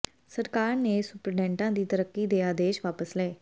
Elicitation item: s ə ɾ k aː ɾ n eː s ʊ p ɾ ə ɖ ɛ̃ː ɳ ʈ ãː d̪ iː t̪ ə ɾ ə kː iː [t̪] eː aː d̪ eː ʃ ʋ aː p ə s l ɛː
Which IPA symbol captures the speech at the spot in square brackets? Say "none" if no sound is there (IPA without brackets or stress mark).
d̪